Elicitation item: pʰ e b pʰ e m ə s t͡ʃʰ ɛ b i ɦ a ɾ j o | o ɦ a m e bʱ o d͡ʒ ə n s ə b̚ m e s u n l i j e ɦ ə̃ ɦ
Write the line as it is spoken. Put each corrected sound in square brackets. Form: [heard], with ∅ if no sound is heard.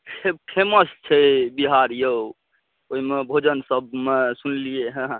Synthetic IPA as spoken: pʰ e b pʰ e m ə s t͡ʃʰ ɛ b i ɦ a ɾ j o | o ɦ [i] m e bʱ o d͡ʒ ə n s ə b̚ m e s u n l i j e ɦ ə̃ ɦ

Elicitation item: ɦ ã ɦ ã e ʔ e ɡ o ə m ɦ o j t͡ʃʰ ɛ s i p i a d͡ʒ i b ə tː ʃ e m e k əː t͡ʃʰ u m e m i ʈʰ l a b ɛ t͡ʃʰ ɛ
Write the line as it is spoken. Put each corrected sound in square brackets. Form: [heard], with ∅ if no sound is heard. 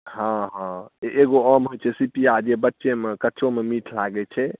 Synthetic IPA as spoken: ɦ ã ɦ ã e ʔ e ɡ o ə m ɦ o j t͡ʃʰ ɛ s i p i a d͡ʒ [e] b ə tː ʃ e m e k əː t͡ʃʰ [o] m e m i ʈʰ l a [ɡ] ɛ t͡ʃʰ ɛ

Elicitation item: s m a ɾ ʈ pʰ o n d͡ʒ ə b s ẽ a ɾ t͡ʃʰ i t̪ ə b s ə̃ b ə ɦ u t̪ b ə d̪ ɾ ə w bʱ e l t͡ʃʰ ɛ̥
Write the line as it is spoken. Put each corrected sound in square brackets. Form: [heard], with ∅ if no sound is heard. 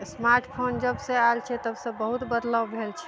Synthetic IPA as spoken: s m a ɾ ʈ pʰ o n d͡ʒ ə b s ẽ a [l] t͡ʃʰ [ɛ] t̪ ə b s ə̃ b ə ɦ u t̪ b ə d̪ [l] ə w bʱ e l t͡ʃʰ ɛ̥

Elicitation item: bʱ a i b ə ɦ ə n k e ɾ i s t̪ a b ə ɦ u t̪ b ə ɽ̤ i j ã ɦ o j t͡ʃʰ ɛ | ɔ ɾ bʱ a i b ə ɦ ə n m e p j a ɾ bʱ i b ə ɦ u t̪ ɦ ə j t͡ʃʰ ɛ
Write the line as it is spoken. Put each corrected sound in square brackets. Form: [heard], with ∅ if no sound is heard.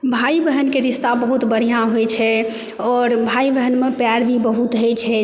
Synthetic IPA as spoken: bʱ a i b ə ɦ ə n k e ɾ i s t̪ a b ə ɦ u t̪ b ə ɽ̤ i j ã ɦ o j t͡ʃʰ ɛ | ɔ ɾ bʱ a i b ə ɦ ə n m e p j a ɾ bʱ i b ə ɦ u t̪ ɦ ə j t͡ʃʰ ɛ

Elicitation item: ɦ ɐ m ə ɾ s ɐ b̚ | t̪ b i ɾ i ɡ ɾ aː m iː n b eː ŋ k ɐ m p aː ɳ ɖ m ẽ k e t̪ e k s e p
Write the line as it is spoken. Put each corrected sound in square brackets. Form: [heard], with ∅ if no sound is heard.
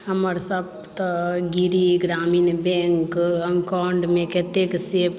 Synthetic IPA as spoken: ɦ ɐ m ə ɾ s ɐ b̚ | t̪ [ɡ] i ɾ i ɡ ɾ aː m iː n b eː ŋ k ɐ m [k] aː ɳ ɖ m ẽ k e t̪ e k s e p

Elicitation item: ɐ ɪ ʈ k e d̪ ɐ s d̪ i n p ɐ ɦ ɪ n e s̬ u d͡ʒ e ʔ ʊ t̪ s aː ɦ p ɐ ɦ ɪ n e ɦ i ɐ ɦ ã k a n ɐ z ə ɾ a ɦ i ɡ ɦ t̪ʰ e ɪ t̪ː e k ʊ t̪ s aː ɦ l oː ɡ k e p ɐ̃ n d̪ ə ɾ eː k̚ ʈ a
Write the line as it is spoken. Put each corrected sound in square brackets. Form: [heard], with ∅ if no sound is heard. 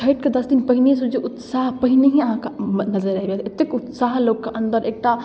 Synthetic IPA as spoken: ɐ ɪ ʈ k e d̪ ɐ s d̪ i n p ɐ ɦ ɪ n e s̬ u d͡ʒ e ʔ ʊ t̪ s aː ɦ p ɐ ɦ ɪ n e ɦ i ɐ ɦ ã k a n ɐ z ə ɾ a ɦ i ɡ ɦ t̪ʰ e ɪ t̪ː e k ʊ t̪ s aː ɦ l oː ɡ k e [ʔ] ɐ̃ n d̪ ə ɾ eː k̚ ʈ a

